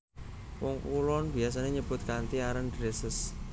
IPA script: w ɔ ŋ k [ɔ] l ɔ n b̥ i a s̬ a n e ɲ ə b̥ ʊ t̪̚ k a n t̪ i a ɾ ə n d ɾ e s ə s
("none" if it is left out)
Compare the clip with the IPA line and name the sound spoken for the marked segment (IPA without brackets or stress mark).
u